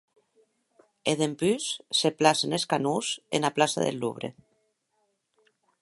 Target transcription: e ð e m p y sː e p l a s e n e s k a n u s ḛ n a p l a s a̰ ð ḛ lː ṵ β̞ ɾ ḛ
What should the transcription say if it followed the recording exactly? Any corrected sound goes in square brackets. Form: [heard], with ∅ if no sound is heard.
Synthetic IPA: e ð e m p y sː e p l a s e n e s k a n u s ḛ n a p l a s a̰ ð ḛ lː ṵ β̞ ɾ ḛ